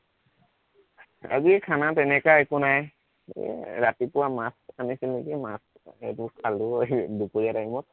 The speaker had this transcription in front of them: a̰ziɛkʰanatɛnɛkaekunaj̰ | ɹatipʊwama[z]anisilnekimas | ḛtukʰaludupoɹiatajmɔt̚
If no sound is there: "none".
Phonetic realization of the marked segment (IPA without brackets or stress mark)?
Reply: s